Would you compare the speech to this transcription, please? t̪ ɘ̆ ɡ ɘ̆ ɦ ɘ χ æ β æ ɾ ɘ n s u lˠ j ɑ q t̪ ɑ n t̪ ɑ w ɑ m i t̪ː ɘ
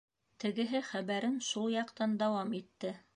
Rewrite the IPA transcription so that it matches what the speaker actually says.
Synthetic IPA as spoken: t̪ ɘ̆ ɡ ɘ̆ ɦ ɘ χ æ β æ ɾ ɘ n ʃ u lˠ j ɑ q t̪ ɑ n d̪ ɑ w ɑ m i t̪ː ɘ